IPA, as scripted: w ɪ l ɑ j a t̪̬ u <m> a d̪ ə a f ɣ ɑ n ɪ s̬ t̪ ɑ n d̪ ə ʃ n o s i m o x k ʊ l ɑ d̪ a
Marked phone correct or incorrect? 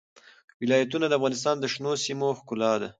incorrect